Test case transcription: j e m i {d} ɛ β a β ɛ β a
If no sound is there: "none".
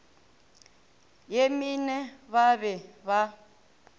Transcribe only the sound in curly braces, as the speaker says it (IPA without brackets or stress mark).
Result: n